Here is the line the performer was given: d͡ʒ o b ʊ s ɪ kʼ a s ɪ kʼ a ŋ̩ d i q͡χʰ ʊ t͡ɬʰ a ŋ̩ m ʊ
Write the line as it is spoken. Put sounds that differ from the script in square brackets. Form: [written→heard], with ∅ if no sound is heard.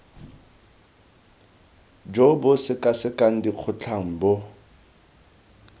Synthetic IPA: d͡ʒ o b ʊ s ɪ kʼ a s ɪ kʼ a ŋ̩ d i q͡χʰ ʊ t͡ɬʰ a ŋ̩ [m→b] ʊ

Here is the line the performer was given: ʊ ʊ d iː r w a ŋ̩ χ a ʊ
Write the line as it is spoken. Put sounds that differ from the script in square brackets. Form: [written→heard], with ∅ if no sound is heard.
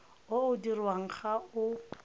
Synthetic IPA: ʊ ʊ d [iː→i] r w a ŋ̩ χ a ʊ

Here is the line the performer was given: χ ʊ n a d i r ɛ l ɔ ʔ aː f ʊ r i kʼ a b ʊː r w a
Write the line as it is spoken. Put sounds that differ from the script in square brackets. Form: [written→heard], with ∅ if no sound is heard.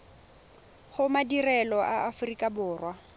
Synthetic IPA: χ ʊ [n→m] a d i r ɛ l ɔ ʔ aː f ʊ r i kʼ a b ʊː r w a

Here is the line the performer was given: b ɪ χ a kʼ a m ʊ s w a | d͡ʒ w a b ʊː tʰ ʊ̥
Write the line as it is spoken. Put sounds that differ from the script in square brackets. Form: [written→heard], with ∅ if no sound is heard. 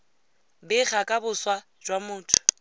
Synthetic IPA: b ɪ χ a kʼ a [m→b] ʊ s w a | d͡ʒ w a [b→m] ʊː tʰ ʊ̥

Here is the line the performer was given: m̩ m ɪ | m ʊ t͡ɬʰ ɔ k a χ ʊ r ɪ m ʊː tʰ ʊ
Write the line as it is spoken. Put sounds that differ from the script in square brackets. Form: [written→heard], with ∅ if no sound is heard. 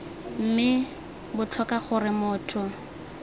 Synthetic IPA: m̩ m ɪ | [m→b] ʊ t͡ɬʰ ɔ k a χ ʊ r ɪ m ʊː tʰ ʊ

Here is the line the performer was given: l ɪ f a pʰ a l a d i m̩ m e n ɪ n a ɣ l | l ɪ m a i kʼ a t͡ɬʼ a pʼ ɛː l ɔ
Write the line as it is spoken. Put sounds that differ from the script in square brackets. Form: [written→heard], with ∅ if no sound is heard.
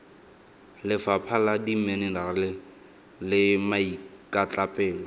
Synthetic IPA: l ɪ f a pʰ a l a d i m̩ m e n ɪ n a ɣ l | l ɪ m a i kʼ a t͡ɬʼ a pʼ ɛː l ɔ

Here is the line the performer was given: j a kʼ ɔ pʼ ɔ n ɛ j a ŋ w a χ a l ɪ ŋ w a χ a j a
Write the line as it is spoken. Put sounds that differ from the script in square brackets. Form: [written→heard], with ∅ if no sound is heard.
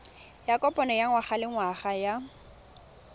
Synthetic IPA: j a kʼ ɔ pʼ ɔ n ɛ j a ŋ w a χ a l ɪ ŋ w a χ a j a

